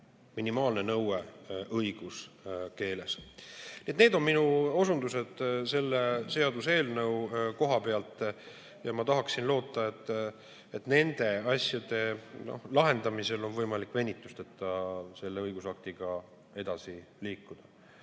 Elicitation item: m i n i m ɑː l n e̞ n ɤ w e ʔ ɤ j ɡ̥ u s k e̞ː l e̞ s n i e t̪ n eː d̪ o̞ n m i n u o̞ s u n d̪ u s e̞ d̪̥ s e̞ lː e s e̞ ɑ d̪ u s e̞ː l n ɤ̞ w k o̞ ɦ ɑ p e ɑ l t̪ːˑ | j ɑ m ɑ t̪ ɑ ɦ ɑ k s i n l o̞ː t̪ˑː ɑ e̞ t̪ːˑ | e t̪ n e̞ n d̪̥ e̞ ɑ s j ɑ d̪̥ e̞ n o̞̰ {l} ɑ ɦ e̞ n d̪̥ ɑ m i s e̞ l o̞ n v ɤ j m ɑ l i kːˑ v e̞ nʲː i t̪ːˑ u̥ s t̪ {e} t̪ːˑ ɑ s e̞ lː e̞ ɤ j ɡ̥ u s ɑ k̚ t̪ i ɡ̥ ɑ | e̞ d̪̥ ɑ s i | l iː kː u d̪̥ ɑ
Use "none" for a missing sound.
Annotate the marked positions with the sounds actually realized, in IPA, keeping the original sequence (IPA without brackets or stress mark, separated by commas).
l, e